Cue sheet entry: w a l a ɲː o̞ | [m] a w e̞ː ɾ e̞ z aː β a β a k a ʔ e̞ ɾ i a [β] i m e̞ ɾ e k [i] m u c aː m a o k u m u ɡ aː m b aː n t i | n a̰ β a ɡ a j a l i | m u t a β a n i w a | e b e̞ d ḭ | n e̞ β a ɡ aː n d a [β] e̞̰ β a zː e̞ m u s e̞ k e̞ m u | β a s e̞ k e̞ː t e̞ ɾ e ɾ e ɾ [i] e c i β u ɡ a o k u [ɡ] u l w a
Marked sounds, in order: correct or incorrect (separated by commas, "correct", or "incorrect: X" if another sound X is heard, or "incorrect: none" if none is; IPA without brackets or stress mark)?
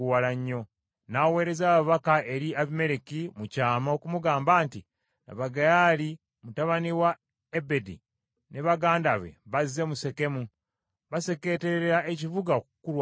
incorrect: n, correct, correct, correct, incorrect: a, incorrect: k